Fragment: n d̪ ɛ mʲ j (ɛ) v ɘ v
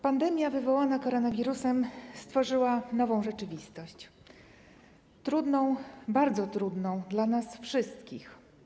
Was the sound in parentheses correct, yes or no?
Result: no